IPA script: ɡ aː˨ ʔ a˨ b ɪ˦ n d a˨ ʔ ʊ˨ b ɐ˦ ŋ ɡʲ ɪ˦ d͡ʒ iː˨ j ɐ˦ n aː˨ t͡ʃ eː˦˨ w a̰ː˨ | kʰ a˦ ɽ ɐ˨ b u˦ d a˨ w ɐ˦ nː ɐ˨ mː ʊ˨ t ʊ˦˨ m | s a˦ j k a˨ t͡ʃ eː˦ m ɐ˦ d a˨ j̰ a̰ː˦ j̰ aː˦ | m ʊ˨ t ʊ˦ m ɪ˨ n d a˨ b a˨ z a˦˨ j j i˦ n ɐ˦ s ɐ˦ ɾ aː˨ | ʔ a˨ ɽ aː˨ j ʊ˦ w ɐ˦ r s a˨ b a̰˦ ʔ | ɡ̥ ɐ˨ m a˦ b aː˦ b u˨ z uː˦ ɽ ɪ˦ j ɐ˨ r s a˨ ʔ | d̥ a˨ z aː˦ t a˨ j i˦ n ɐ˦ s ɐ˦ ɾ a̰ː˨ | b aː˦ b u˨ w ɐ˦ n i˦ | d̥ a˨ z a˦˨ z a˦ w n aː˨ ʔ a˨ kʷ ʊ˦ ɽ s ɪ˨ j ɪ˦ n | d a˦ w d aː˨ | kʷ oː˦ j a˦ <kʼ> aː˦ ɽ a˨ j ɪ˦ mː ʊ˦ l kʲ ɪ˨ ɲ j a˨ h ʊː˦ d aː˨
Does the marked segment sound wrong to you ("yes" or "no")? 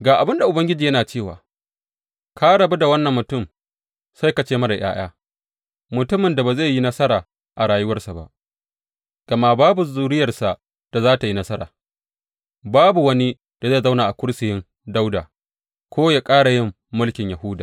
no